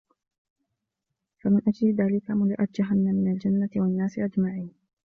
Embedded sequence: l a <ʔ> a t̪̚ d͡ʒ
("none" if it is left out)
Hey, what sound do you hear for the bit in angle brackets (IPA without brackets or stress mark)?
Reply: ʔ